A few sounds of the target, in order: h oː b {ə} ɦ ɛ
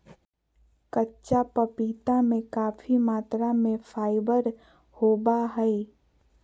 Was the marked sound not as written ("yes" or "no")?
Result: yes